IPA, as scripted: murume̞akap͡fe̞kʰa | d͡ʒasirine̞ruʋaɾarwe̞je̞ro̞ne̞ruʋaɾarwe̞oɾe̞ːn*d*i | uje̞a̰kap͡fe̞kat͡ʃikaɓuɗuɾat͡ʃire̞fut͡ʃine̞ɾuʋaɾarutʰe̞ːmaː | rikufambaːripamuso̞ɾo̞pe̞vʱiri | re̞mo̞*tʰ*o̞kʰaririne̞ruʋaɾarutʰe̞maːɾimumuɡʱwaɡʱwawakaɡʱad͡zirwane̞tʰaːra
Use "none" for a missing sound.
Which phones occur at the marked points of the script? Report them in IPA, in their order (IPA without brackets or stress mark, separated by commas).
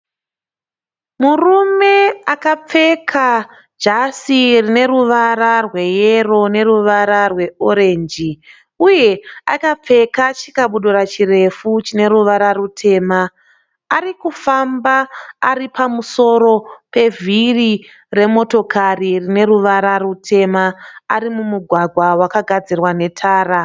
d͡ʒ, t